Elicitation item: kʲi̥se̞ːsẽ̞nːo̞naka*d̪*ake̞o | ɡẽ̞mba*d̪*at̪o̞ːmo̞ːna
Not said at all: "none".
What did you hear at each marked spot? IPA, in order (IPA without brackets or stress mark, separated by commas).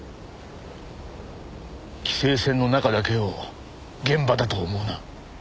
d̪, d̪